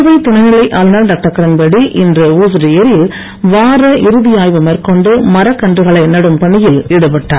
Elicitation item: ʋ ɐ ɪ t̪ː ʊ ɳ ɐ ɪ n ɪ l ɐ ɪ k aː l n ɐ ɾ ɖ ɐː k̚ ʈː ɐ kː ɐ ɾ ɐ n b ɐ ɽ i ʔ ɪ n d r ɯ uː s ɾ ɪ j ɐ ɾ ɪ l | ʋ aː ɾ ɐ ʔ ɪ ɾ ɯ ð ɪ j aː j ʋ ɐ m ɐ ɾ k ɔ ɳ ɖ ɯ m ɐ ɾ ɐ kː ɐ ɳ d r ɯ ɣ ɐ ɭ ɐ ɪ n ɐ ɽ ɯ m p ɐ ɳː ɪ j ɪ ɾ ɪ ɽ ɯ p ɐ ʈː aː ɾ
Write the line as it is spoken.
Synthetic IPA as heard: ʋ ɐ ɪ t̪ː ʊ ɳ ɐ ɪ n ɪ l ɐ ɪ ʔ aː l n ɐ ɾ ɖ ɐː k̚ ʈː ɐ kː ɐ ɾ ɐ n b ɐ ɽ i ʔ ɪ n d r ɯ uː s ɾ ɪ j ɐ ɾ ɪ l | ʋ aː ɾ ɐ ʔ ɪ ɾ ɯ ð ɪ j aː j ʋ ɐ m ɐ ɾ k ɔ ɳ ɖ ɯ m ɐ ɾ ɐ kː ɐ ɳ d r ɯ ɣ ɐ ɭ ɐ ɪ n ɐ ɽ ɯ m p ɐ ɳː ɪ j ɪ l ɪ ɽ ɯ p ɐ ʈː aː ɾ